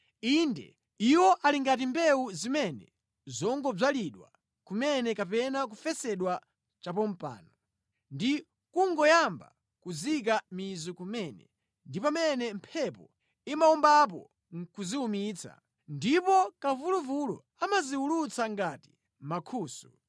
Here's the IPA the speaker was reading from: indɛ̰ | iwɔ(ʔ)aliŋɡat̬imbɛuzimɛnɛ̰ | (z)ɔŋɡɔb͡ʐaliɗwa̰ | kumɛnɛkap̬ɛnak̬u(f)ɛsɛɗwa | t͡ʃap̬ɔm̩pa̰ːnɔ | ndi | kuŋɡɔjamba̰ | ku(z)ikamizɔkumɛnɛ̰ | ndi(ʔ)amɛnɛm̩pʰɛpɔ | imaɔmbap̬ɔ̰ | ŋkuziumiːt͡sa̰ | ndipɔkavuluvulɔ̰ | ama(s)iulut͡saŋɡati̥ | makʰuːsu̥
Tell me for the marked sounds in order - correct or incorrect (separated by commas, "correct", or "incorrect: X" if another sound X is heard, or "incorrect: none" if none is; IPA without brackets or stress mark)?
correct, correct, correct, correct, incorrect: p, incorrect: z